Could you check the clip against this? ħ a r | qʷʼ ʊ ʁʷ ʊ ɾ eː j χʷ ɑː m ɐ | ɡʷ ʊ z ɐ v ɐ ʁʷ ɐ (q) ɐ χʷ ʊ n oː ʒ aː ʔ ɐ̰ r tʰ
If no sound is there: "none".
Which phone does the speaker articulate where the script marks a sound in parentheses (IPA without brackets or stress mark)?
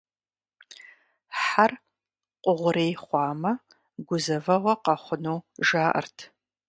q